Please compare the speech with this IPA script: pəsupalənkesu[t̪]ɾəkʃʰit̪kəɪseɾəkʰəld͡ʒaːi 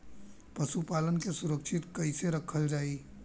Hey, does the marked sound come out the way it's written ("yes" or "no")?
no